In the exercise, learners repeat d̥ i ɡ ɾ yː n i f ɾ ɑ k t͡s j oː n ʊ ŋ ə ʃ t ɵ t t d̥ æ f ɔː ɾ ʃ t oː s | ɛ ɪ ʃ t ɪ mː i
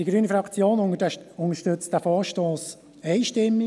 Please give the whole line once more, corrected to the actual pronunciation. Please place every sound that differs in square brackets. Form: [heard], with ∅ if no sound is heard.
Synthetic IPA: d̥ i ɡ ɾ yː n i f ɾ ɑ k t͡s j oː n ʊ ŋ ə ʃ t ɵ [t͡s] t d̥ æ f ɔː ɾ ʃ t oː s | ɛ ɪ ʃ t ɪ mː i